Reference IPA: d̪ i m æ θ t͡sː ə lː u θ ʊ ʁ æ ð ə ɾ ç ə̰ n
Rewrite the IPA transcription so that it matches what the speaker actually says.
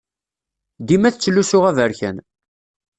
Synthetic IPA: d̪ i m æ θ t͡sː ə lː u s ʊ ʁ æ v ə ɾ ç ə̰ n